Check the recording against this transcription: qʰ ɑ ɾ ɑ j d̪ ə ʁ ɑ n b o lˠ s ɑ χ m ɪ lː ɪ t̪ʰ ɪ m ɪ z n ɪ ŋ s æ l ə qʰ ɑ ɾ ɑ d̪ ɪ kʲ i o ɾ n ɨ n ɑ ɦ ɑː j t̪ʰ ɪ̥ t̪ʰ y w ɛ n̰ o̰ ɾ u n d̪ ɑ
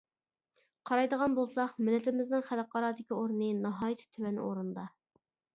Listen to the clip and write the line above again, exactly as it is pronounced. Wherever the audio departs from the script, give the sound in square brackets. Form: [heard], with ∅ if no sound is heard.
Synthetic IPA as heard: qʰ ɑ ɾ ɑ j d̪ ə ʁ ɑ n b o lˠ s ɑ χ m ɪ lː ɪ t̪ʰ ɪ m ɪ z n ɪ ŋ [χ] æ l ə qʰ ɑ ɾ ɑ d̪ ɪ kʲ i o ɾ n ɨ n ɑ ɦ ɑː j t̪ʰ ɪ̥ t̪ʰ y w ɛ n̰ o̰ ɾ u n d̪ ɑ